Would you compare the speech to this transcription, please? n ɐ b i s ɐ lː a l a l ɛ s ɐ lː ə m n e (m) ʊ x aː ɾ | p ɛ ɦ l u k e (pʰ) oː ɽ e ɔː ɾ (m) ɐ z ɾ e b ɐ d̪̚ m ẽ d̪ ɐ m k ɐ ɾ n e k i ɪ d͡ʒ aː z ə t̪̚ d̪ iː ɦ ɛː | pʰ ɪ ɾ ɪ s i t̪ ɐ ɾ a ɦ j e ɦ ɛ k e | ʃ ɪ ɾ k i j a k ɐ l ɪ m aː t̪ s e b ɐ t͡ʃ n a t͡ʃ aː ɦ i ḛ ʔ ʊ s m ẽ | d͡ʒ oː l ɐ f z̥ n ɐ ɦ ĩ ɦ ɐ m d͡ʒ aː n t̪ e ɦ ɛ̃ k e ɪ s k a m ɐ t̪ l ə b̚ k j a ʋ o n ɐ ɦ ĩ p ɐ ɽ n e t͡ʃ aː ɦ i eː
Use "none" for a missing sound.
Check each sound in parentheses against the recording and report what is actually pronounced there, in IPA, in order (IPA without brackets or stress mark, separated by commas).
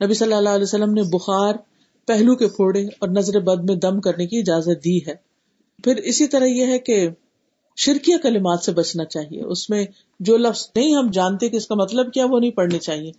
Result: b, pʰ, n